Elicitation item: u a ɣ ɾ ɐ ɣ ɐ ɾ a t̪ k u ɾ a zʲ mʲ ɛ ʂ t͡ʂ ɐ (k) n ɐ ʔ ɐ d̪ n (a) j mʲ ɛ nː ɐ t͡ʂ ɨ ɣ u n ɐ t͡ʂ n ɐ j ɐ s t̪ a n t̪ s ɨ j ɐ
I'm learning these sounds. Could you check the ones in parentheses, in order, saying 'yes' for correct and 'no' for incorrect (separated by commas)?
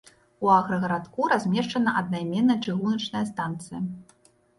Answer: no, yes